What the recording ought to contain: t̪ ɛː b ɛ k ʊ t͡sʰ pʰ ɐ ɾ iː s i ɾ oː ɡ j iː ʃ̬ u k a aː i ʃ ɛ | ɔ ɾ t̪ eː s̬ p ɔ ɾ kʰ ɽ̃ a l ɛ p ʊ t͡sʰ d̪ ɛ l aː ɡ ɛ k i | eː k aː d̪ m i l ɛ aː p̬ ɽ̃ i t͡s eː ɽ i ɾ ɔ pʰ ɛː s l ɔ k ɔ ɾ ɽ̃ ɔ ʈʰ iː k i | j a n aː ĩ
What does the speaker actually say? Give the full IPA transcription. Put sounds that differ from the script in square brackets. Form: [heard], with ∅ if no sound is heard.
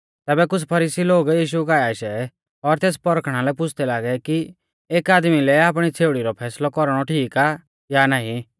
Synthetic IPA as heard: t̪ ɛː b ɛ k ʊ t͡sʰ pʰ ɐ ɾ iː s i [l] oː ɡ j iː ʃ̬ u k a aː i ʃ ɛ | ɔ ɾ t̪ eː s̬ p ɔ ɾ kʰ ɽ̃ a l ɛ p ʊ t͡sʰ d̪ ɛ l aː ɡ ɛ k i | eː k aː d̪ m i l ɛ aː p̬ ɽ̃ i [t͡sʰ] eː ɽ i ɾ ɔ pʰ ɛː s l ɔ k ɔ ɾ ɽ̃ ɔ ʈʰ iː k [a] | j a n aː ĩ

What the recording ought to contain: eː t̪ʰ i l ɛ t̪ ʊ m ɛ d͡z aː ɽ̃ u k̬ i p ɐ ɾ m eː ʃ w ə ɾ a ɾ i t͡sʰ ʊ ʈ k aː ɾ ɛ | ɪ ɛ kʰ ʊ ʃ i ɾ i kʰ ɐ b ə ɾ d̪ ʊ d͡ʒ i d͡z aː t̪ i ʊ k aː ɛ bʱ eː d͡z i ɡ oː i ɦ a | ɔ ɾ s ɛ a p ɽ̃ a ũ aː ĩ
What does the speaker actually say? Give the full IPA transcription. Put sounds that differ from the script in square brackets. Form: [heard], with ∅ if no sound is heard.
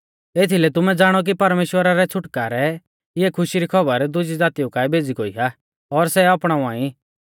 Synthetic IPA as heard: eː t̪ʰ i l ɛ t̪ ʊ m ɛ d͡z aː ɽ̃ [ɔ] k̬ i p ɐ ɾ m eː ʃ w ə ɾ a ɾ [ɛ] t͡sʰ ʊ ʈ k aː ɾ ɛ | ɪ ɛ kʰ ʊ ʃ i ɾ i kʰ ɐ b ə ɾ d̪ ʊ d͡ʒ i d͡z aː t̪ i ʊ k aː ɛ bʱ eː d͡z i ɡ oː i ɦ a | ɔ ɾ s ɛ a p ɽ̃ a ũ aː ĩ

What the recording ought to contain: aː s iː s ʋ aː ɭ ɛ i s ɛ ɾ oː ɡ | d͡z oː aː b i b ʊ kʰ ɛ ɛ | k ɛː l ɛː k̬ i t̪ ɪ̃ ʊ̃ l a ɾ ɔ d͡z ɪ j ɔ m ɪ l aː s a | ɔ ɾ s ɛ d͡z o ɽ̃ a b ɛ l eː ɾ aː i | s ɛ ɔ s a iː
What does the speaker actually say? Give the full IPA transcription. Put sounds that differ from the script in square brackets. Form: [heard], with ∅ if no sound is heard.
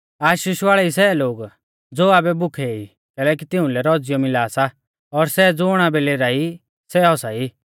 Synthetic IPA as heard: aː [ʃ] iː [ʃ] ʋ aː ɭ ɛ i s ɛ [l] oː ɡ | d͡z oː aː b [ɛ] b ʊ kʰ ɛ [i] | k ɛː l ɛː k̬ i t̪ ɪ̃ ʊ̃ l [ɛ] ɾ ɔ d͡z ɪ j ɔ m ɪ l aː s a | ɔ ɾ s ɛ d͡z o ɽ̃ a b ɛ l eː ɾ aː i | s ɛ ɔ s a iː

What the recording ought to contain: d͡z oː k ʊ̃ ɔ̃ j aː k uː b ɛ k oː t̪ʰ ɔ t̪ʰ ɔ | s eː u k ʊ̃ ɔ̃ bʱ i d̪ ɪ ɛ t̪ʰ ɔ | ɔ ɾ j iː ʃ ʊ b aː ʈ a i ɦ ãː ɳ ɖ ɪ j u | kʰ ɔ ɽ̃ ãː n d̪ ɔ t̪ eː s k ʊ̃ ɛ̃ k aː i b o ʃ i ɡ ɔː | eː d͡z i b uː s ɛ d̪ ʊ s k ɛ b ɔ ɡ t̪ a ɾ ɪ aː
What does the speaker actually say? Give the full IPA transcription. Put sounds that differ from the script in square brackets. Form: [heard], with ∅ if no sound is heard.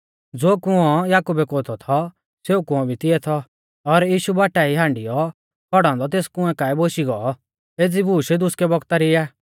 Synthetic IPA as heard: d͡z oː k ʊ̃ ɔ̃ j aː k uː b ɛ k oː t̪ʰ ɔ t̪ʰ ɔ | s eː u k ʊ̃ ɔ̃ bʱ i [t̪] ɪ ɛ t̪ʰ ɔ | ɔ ɾ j iː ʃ [u] b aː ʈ a i ɦ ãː ɳ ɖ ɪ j [ɔ] | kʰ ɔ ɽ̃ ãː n d̪ ɔ t̪ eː s k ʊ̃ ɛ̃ k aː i b o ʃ i ɡ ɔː | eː d͡z i b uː [ʃ] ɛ d̪ ʊ s k ɛ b ɔ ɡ t̪ a ɾ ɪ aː

